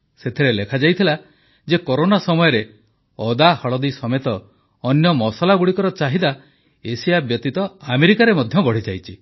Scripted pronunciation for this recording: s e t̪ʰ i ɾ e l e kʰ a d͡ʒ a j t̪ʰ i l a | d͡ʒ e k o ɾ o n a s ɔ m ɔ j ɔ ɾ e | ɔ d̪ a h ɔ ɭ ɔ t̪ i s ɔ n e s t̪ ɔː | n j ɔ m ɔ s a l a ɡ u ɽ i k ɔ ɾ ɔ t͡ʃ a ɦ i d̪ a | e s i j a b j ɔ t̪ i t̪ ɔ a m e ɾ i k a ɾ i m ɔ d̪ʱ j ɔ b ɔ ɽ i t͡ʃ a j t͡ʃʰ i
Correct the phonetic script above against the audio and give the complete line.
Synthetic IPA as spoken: s e t̪ʰ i ɾ e l e kʰ a d͡ʒ a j t̪ʰ i l a | d͡ʒ e k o ɾ o n a s ɔ m ɔ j ɔ ɾ e | ɔ d̪ a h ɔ ɭ ɔ d̪ i s ɔ m e t̪ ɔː | n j ɔ m ɔ s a l a ɡ u ɽ i k ɔ ɾ ɔ t͡ʃ a ɦ i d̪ a | e s i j a b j ɔ t̪ i t̪ ɔ a m e ɾ i k a ɾ e m ɔ d̪ʱ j ɔ b ɔ ɽ i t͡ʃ a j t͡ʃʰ i